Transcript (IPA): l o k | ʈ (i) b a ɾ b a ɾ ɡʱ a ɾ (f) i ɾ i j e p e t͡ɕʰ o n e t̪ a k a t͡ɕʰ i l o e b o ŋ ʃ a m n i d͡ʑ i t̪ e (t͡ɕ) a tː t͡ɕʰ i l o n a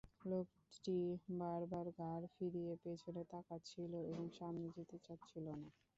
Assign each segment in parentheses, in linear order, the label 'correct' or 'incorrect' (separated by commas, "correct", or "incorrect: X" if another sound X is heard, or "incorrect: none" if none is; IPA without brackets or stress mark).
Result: correct, correct, correct